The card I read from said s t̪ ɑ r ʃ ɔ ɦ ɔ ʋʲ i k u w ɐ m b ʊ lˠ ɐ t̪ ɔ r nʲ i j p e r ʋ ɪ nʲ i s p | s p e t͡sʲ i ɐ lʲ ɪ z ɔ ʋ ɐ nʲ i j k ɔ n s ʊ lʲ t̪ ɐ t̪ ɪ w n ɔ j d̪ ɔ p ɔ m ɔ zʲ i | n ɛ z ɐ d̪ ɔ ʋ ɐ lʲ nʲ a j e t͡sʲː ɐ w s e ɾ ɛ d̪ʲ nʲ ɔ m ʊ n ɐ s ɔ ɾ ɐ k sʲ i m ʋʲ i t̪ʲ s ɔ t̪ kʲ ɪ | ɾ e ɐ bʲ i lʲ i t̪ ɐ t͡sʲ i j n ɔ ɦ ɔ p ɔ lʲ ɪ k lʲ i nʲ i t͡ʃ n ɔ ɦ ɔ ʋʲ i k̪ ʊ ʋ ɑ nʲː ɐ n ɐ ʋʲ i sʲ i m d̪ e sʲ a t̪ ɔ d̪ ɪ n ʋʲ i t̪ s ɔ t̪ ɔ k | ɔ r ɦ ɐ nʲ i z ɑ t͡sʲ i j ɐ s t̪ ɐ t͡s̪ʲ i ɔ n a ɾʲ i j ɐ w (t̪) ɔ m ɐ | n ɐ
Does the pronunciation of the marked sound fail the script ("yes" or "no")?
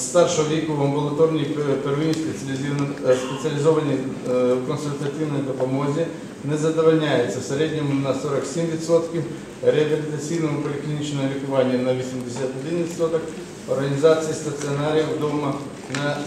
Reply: yes